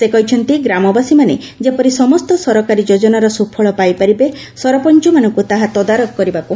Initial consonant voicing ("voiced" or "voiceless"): voiceless